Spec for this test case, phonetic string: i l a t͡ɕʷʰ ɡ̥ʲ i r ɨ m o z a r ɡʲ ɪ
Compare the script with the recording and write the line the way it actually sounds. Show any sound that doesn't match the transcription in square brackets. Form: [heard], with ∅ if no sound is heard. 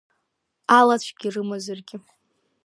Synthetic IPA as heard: [a] l a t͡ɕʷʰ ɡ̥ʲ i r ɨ m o z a r ɡʲ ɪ